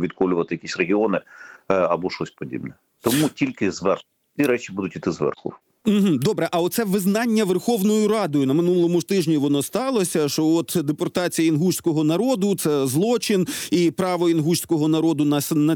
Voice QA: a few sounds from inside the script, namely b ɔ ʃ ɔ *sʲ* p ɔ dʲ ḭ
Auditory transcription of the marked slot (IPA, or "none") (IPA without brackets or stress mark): sʲ